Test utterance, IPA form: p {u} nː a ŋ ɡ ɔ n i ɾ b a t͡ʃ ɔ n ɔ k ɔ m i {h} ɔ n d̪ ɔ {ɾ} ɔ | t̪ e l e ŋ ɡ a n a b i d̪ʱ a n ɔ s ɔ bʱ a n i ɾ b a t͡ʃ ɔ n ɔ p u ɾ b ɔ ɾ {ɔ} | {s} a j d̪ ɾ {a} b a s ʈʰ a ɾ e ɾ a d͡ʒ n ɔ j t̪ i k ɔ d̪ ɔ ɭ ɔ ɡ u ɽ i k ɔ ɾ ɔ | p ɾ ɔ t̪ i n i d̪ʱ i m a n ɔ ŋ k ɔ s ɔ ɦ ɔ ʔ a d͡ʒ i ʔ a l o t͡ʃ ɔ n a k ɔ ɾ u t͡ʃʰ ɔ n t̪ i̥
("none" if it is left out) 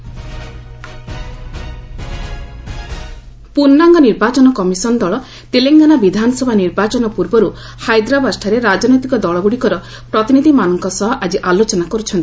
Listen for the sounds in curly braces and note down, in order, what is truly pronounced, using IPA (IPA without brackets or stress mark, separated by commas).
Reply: u, s, ɭ, u, h, a